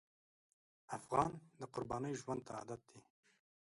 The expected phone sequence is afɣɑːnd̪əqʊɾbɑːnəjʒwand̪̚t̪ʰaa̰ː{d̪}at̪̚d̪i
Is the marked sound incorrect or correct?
correct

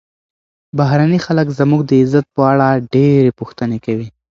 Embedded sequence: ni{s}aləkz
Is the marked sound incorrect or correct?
incorrect: x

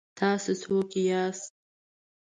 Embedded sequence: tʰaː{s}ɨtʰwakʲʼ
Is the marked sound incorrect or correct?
correct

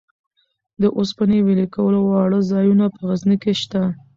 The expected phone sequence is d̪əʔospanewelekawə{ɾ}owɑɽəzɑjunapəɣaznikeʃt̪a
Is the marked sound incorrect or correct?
incorrect: l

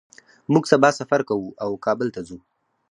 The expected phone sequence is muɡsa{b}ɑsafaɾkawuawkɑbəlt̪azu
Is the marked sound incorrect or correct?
correct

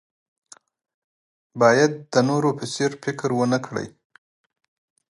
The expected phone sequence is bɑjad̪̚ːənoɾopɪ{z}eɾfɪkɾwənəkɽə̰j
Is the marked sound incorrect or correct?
incorrect: s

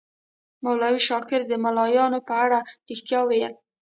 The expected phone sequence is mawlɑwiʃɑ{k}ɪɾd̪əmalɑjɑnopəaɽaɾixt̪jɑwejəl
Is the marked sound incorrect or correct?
correct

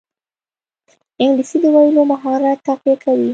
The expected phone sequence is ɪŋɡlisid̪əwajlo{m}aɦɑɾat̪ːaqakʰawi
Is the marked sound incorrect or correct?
correct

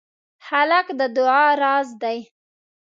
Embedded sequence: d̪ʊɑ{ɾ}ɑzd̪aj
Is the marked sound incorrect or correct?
correct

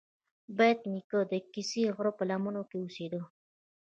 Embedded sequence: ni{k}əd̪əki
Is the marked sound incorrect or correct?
correct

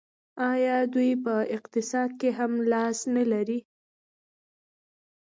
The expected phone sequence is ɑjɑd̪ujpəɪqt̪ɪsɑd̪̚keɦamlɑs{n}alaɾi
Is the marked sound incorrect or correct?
correct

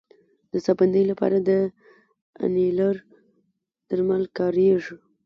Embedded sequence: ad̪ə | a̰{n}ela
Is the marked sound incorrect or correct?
correct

